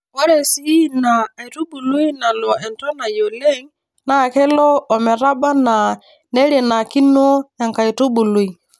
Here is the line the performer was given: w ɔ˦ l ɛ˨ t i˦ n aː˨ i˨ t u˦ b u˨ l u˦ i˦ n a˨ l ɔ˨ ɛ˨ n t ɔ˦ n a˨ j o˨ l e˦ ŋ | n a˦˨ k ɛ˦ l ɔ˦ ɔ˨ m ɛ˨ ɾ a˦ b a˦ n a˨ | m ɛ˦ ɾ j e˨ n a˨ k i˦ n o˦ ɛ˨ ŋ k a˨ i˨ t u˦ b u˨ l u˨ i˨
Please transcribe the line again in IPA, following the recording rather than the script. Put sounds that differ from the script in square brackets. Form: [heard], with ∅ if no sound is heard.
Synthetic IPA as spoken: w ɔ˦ [ɾ] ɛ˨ [s] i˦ n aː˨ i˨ t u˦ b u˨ l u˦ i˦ n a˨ l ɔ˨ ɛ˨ n t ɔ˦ n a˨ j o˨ l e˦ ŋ | n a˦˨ k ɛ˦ l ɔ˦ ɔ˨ m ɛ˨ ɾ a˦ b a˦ n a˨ | [n] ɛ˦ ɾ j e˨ n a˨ k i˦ n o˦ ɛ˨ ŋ k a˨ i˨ t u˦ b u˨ l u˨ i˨